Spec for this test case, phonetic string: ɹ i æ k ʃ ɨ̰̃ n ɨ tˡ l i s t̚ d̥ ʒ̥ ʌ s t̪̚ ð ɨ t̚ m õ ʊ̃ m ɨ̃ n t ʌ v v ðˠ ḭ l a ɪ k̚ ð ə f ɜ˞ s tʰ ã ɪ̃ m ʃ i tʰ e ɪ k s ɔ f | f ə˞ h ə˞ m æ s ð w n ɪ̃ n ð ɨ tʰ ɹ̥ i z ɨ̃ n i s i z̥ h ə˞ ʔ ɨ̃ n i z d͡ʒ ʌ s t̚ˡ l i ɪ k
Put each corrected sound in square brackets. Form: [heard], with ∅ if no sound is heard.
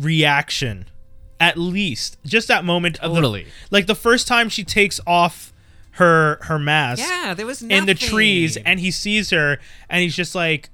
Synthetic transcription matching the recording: ɹ i æ k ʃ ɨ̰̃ n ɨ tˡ l i s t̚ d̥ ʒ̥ ʌ s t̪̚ ð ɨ t̚ m õ ʊ̃ m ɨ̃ n t ʌ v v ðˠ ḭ l a ɪ k̚ ð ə f ɜ˞ s tʰ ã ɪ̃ m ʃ i tʰ e ɪ k s ɔ f | [h] ə˞ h ə˞ m æ s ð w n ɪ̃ n ð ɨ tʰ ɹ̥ i z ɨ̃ n i s i z̥ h ə˞ ʔ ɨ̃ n i z d͡ʒ ʌ s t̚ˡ l [a] ɪ k